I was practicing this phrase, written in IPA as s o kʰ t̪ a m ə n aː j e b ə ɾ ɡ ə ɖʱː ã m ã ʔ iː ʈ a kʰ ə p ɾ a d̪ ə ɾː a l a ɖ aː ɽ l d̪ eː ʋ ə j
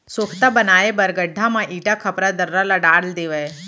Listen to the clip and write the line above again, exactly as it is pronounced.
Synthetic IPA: s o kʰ t̪ a b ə n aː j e b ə ɾ ɡ ə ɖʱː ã m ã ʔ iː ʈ a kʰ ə p ɾ a d̪ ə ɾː a l a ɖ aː ɽ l d̪ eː ʋ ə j